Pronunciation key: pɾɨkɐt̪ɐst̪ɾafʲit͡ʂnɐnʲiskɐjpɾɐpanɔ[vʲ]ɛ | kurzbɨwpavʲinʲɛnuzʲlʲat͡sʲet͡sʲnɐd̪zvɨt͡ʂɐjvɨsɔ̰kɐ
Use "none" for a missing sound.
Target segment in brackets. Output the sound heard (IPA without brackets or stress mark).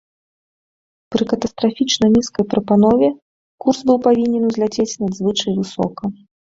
vʲ